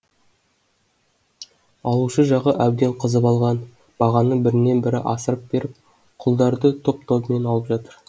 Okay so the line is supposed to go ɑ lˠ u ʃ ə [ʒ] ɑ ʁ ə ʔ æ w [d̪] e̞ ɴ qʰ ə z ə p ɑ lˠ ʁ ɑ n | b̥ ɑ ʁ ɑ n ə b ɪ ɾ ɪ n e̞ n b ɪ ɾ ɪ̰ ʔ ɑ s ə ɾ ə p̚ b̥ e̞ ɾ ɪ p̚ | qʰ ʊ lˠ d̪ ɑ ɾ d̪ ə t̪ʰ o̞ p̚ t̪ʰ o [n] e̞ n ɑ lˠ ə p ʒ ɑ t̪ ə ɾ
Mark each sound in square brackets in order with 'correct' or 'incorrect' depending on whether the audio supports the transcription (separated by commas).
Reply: correct, correct, incorrect